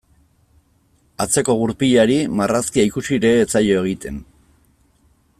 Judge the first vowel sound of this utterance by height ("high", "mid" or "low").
low